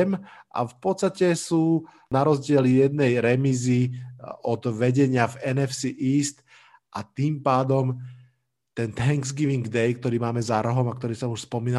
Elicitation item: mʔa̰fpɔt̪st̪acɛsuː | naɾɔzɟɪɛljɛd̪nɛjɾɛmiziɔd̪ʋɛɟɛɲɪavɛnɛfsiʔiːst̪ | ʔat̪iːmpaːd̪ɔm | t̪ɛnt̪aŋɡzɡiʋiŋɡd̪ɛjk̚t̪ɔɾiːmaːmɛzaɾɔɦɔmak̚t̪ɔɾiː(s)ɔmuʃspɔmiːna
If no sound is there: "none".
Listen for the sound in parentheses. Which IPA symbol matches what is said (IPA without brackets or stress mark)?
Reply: s